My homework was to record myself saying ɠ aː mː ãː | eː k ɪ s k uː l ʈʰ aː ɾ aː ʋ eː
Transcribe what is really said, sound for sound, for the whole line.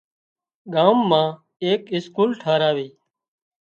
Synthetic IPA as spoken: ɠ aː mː ãː | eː k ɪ s k uː l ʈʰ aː ɾ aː ʋ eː